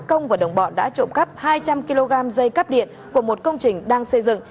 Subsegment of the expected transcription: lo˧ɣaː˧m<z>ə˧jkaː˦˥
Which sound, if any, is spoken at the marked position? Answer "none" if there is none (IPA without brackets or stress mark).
z